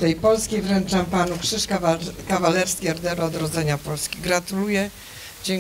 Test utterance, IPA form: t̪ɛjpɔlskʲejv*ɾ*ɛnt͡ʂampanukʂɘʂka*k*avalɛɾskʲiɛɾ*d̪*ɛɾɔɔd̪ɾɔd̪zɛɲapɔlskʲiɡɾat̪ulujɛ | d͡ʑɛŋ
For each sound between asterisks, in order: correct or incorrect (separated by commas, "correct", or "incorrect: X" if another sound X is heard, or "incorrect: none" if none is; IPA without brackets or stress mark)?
correct, correct, correct